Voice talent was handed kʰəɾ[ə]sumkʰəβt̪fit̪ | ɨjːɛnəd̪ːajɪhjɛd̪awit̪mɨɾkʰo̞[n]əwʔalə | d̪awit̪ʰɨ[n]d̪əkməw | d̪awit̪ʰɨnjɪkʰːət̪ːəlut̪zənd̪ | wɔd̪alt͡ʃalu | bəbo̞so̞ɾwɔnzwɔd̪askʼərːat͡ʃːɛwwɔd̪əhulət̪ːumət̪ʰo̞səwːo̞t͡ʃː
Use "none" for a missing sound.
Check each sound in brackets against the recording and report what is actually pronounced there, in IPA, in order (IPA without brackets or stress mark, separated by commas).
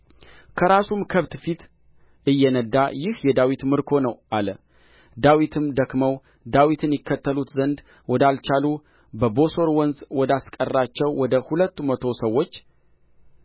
a, n, m